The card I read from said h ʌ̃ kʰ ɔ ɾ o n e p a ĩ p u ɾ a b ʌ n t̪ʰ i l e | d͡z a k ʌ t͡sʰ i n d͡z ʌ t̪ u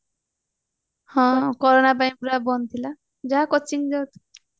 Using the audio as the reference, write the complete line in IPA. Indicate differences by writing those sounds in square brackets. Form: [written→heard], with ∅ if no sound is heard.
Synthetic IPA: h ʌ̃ [kʰ→k] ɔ ɾ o n [e→a] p a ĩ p u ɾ a b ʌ n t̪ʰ i l [e→a] | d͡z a k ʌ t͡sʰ i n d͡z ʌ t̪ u